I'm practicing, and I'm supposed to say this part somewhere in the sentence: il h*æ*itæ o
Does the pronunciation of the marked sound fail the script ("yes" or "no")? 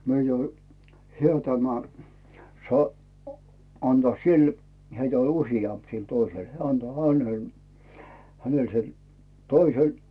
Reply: yes